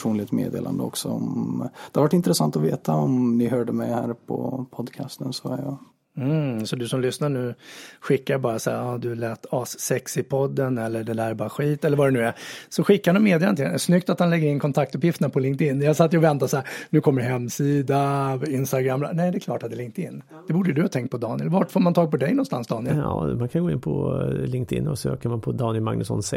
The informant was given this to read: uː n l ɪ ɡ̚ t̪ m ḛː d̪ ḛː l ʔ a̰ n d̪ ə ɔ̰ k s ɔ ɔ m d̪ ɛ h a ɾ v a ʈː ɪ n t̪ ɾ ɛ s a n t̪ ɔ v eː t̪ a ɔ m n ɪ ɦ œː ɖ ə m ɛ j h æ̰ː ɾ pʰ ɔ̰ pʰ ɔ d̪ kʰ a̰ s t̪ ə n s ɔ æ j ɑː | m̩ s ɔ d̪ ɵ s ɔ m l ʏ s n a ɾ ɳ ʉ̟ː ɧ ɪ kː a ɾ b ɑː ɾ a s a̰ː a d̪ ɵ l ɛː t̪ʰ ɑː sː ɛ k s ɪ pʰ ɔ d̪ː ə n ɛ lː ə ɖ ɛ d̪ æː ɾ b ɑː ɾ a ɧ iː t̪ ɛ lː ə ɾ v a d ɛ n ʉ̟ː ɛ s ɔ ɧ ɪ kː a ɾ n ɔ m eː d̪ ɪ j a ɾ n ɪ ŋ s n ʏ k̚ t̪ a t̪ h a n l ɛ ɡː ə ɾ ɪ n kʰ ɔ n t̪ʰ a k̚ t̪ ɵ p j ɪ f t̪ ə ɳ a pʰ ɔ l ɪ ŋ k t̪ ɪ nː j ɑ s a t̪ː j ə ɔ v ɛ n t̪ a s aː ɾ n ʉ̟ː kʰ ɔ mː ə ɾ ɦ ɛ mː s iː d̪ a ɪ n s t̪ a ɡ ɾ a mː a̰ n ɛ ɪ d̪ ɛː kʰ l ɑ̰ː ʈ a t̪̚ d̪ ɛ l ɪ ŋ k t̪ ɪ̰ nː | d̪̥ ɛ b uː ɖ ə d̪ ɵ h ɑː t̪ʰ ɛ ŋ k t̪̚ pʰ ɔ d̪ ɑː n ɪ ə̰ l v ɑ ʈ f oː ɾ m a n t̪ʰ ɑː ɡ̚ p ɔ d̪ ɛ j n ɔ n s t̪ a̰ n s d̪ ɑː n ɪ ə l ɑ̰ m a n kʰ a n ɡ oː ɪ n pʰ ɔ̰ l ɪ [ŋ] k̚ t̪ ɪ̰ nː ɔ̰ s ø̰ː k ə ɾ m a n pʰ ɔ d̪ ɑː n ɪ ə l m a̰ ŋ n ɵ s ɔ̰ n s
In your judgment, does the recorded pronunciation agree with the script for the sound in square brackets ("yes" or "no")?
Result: yes